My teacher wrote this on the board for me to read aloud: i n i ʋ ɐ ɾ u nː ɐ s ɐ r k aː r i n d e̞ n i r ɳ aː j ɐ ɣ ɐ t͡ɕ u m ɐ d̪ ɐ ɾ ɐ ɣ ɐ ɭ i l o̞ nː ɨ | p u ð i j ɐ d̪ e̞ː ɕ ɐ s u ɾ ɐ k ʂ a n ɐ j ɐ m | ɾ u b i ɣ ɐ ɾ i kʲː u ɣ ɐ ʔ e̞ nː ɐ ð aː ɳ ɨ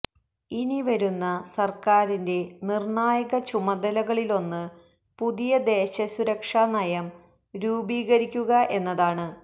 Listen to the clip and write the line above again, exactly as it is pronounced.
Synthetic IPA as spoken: i n i ʋ ɐ ɾ u nː ɐ s ɐ r k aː ɾ i n d e̞ n i r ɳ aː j ɐ ɣ ɐ t͡ɕ u m ɐ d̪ ɐ l ɐ ɣ ɐ ɭ i l o̞ nː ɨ | p u ð i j ɐ d̪ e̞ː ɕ ɐ s u ɾ ɐ k ʂ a n ɐ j ɐ m | ɾ uː b iː ɣ ɐ ɾ i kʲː u ɣ ɐ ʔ e̞ nː ɐ ð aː ɳ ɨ